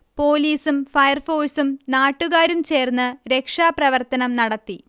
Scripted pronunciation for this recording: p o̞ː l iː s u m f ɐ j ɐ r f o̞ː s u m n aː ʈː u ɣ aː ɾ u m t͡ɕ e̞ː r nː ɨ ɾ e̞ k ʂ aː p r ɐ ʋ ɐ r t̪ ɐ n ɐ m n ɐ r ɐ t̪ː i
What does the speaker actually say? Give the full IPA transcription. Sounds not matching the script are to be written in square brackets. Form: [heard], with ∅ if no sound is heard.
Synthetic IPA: p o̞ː l iː s u m f ɐ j ɐ r f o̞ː s u m n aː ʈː u ɣ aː ɾ u m t͡ɕ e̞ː r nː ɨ ɾ e̞ k ʂ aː p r ɐ ʋ ɐ r t̪ ɐ n ɐ m n ɐ [ɽ] ɐ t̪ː i